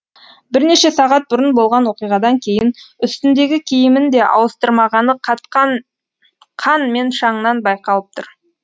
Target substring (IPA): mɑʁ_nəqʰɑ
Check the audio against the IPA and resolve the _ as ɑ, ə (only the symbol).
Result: ɑ